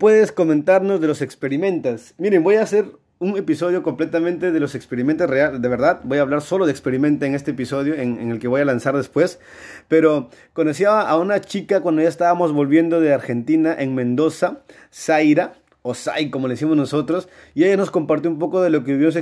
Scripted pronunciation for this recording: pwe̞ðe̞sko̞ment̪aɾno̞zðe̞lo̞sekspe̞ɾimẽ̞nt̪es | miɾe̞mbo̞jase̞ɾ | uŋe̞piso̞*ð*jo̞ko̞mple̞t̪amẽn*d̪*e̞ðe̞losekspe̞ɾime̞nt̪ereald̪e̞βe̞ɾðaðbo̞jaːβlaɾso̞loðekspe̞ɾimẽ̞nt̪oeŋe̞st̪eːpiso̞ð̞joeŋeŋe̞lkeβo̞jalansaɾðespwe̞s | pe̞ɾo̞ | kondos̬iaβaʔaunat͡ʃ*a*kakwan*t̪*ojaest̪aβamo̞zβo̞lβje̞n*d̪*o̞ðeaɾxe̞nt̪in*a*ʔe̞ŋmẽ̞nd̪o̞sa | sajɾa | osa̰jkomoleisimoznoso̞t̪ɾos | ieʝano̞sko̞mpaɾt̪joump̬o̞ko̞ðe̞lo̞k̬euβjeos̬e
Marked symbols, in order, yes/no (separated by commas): yes, no, no, no, yes, yes